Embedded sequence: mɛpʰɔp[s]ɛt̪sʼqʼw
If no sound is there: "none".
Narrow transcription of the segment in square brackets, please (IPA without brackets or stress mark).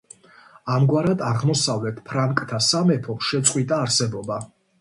ʃ